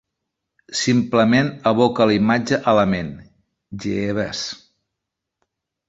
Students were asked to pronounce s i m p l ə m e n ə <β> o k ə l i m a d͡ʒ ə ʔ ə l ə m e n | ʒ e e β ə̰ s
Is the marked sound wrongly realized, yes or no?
no